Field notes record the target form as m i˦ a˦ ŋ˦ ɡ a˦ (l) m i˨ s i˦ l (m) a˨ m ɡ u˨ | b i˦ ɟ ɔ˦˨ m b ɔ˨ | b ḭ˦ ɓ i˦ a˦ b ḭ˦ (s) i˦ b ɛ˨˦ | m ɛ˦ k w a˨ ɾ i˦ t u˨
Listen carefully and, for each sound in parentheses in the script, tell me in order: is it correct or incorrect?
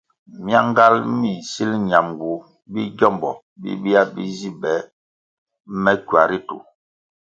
correct, incorrect, incorrect

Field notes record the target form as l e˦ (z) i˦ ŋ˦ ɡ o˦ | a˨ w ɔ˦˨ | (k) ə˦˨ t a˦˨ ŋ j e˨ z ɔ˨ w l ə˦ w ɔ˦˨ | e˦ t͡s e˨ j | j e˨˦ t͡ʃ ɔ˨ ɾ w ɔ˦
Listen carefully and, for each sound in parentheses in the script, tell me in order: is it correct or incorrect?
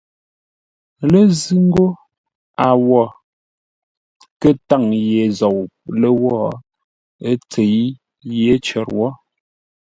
correct, correct

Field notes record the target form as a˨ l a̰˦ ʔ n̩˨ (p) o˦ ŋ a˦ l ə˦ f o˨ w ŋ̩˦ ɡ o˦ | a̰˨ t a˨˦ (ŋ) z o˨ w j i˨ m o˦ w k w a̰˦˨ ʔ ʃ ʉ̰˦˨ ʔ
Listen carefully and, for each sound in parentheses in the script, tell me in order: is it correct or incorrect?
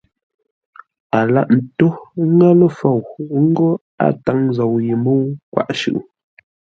incorrect, correct

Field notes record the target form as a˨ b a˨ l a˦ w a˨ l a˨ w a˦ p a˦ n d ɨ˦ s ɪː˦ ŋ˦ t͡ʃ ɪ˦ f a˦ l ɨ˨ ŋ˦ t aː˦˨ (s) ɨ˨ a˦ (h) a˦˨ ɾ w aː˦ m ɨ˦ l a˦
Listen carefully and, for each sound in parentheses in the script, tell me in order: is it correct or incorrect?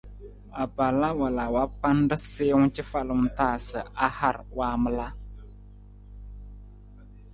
correct, correct

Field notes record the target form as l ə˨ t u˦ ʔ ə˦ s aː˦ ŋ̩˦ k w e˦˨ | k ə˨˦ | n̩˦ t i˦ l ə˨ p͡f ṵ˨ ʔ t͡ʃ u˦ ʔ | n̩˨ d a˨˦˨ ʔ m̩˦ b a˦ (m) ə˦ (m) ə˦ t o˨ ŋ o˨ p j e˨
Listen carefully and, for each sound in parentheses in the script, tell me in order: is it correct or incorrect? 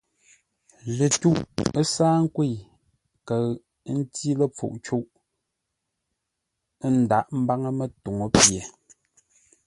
incorrect, correct

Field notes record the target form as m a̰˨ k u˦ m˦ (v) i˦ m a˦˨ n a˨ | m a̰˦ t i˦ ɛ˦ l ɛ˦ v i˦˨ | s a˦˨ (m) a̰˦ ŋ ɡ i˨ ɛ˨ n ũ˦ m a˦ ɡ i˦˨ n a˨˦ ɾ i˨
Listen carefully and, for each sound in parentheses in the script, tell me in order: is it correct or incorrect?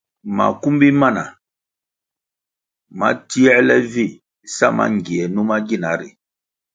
incorrect, correct

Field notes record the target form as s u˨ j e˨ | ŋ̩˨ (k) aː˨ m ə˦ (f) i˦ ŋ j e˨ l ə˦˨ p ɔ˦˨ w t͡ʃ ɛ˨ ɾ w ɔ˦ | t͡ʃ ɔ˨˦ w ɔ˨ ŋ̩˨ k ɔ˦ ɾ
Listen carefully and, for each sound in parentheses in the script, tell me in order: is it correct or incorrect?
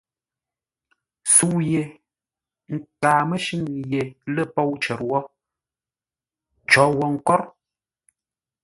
correct, incorrect

